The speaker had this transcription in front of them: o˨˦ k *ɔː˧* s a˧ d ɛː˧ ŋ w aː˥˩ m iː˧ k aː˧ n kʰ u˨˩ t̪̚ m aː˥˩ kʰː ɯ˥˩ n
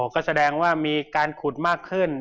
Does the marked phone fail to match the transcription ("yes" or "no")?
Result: yes